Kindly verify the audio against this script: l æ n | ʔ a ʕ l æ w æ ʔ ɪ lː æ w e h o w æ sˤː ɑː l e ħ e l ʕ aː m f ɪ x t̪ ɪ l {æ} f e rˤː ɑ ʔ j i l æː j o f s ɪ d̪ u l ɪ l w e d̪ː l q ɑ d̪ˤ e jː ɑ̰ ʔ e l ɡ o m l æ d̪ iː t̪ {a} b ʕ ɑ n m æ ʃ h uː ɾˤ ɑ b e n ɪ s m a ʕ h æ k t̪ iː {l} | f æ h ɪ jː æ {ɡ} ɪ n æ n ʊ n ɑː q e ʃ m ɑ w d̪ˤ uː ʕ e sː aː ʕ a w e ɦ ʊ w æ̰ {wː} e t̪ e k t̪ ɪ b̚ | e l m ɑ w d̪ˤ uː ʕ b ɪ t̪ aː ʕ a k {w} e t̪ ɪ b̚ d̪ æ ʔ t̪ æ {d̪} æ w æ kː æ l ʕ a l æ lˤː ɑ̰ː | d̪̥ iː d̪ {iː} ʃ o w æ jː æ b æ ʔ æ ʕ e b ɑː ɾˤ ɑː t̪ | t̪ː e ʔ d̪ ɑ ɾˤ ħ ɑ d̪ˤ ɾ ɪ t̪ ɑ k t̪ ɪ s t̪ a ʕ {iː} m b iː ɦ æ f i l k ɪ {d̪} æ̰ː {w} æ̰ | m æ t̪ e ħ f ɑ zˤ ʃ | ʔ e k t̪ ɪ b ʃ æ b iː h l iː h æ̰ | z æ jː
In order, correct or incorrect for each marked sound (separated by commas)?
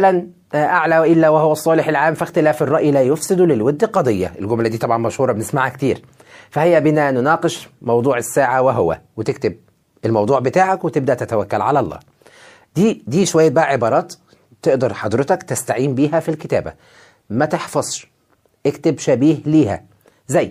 incorrect, incorrect, incorrect, incorrect, incorrect, correct, incorrect, correct, correct, incorrect, incorrect